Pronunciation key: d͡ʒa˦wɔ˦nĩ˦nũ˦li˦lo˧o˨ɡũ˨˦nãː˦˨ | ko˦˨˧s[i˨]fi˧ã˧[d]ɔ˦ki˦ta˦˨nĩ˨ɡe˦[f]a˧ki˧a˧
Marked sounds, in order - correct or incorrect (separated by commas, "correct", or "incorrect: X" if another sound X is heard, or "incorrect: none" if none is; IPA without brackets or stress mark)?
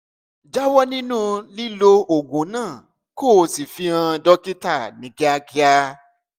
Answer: correct, correct, incorrect: none